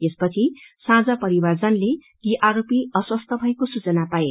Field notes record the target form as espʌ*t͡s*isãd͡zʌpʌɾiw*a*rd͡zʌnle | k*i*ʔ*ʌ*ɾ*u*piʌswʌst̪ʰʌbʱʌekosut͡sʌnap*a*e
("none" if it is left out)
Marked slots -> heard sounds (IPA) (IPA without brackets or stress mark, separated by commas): t͡sʰ, a, i, a, o, a